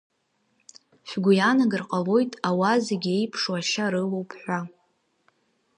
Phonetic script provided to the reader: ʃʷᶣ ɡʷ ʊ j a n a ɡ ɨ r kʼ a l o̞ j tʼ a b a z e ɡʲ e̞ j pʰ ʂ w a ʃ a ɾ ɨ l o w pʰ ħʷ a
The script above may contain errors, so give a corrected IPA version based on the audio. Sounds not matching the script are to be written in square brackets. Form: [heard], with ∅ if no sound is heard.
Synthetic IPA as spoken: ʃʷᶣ ɡʷ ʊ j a n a ɡ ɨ r [qʼ] a l o̞ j tʼ a [w] a z e ɡʲ e̞ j pʰ ʂ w a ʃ a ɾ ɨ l o w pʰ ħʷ a